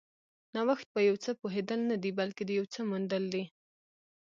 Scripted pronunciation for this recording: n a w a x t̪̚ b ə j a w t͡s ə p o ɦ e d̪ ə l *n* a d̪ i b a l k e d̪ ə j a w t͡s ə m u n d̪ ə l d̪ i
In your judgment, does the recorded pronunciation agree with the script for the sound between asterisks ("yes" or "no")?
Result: yes